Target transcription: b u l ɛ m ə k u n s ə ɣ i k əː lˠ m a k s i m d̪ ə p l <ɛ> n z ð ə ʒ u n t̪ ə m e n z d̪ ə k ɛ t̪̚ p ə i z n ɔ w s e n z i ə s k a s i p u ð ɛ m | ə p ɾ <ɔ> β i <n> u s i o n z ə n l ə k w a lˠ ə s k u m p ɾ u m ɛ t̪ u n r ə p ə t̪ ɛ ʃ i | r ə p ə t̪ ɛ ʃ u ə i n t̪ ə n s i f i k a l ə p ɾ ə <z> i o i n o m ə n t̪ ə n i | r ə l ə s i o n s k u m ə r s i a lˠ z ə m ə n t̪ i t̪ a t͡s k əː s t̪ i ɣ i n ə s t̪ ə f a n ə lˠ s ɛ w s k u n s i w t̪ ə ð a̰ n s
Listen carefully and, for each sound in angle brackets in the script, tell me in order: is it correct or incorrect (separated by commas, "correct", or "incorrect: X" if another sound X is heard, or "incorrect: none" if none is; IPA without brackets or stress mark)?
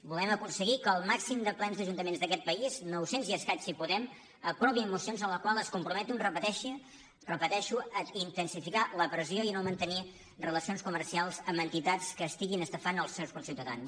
correct, correct, incorrect: m, correct